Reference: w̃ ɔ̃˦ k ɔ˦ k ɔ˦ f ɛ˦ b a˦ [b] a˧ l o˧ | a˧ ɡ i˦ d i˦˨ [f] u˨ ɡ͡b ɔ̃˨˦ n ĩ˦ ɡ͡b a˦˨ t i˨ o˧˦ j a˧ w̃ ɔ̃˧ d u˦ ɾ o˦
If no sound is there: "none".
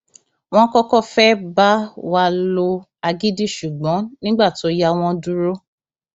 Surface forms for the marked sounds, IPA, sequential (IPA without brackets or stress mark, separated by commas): w, ʃ